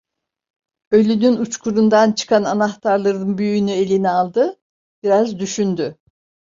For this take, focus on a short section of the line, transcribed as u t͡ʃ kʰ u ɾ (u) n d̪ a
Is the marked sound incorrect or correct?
correct